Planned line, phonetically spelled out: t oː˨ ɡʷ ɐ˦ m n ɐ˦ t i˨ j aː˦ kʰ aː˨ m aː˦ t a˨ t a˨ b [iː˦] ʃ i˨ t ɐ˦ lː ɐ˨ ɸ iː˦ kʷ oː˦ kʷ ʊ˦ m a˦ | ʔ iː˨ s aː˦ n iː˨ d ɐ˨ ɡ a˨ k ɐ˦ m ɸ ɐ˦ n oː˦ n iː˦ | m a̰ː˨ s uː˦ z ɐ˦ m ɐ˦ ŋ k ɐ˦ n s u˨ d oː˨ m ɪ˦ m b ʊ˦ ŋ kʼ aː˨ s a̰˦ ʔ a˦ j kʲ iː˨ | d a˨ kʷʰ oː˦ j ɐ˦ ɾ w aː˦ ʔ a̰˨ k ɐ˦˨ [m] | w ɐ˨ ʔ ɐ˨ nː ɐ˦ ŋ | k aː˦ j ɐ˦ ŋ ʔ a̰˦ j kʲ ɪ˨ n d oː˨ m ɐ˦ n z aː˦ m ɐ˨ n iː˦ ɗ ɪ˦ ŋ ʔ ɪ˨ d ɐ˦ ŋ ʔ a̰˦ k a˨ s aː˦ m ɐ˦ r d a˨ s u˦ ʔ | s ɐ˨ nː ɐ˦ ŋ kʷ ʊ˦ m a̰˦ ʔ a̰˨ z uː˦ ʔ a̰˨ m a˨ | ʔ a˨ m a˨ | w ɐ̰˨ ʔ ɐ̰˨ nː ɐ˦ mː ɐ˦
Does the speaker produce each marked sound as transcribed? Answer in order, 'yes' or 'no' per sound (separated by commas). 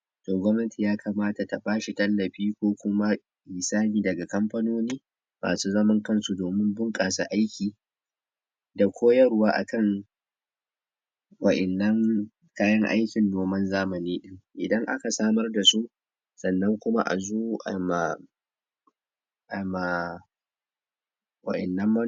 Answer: no, no